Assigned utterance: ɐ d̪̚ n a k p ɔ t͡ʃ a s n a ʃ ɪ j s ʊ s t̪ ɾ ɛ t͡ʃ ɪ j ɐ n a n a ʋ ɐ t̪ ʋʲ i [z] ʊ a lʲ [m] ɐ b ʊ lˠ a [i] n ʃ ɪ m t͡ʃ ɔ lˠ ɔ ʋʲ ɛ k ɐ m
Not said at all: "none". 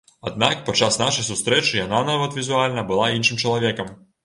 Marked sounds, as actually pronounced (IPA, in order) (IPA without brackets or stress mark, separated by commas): z, n, i